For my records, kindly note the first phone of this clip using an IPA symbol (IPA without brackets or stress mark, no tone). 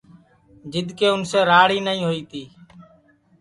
d͡ʒ